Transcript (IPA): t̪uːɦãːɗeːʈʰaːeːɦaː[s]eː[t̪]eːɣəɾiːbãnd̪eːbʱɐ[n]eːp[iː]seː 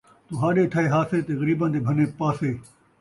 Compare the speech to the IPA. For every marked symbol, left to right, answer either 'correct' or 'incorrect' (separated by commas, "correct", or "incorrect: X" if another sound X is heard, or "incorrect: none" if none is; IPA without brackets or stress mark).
correct, correct, correct, incorrect: aː